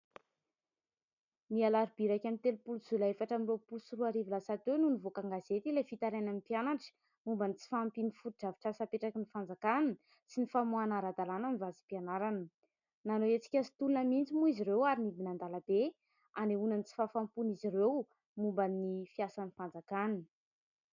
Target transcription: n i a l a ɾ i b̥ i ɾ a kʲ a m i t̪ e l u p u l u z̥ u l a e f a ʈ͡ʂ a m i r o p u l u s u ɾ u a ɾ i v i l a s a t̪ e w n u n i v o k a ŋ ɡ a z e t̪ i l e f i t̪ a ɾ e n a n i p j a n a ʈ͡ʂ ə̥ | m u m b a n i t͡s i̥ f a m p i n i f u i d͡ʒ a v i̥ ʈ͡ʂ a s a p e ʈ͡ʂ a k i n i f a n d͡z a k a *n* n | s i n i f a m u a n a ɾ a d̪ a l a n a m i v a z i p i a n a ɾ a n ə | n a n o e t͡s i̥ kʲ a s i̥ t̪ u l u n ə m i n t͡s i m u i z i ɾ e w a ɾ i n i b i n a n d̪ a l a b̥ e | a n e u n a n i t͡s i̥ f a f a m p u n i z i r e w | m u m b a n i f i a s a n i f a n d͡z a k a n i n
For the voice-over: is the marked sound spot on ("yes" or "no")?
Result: yes